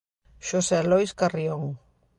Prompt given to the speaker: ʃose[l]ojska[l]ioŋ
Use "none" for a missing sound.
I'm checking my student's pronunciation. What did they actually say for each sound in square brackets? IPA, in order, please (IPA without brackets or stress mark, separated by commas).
l, r